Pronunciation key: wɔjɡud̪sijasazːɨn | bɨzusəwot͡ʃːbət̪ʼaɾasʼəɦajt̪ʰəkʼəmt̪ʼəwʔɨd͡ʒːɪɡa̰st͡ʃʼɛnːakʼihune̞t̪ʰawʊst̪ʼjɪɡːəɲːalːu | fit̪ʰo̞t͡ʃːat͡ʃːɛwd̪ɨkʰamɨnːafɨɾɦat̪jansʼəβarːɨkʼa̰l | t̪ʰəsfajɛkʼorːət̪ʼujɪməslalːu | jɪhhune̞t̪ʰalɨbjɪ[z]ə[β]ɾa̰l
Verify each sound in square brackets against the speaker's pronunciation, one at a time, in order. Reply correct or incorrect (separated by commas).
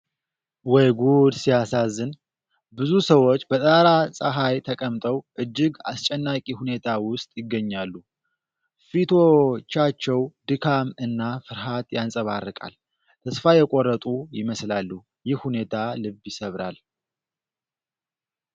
incorrect, correct